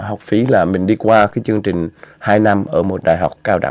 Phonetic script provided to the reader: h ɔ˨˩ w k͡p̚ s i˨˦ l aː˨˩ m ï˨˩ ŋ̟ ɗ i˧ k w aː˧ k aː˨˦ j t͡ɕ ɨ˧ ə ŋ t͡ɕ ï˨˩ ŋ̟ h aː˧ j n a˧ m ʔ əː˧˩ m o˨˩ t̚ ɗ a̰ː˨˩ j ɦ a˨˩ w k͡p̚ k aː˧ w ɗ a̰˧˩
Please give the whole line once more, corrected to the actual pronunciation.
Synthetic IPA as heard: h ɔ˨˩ w k͡p̚ f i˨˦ l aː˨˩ m ï˨˩ ŋ̟ ɗ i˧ k w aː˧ k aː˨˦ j t͡ɕ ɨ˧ ə ŋ t͡ɕ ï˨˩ ŋ̟ h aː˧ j n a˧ m ʔ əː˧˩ m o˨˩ t̚ ɗ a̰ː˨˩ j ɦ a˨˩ w k͡p̚ k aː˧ w ɗ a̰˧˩

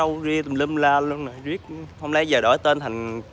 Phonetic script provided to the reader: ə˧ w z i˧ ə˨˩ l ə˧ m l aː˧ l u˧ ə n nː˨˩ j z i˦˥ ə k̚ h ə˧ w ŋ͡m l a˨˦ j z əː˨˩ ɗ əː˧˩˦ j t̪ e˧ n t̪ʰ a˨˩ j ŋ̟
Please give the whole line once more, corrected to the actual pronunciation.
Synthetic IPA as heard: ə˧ w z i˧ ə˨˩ l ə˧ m l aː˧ l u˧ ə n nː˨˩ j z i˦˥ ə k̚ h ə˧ w ŋ͡m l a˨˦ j z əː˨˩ ɗ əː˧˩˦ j t̪ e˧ n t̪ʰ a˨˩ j ŋ̟

